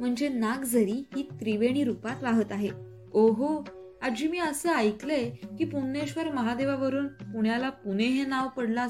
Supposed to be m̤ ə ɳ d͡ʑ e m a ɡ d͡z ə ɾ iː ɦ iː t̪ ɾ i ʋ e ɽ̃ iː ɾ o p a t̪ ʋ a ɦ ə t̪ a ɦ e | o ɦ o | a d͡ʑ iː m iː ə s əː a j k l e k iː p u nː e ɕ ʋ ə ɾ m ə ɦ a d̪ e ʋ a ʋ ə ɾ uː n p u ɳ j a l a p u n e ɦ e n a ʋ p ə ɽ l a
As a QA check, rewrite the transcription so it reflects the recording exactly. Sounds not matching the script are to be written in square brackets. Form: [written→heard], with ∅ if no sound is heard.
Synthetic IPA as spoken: m̤ ə ɳ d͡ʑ e [m→n] a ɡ d͡z ə ɾ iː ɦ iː t̪ ɾ i ʋ e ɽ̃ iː ɾ [o→u] p a t̪ ʋ a ɦ ə t̪ a ɦ e | o ɦ o | a d͡ʑ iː m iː ə s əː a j k l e k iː p u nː e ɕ ʋ ə ɾ m ə ɦ a d̪ e ʋ a ʋ ə ɾ uː n p u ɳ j a l a p u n e ɦ e n a ʋ p ə ɽ l a